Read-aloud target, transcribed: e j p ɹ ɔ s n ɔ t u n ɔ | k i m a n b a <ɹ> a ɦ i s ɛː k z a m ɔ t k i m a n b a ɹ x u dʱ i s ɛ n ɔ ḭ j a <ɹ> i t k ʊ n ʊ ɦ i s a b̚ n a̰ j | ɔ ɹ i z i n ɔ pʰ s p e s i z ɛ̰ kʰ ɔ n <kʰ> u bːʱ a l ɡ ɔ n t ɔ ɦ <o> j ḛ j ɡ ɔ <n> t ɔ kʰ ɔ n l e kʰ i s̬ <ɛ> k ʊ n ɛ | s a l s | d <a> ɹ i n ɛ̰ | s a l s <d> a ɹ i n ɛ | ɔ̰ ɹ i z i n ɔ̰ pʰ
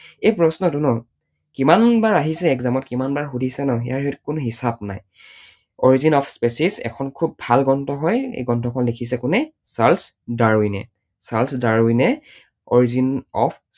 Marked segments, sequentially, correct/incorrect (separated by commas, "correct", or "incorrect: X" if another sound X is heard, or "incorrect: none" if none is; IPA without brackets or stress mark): correct, correct, correct, incorrect: ɔ, correct, correct, correct, correct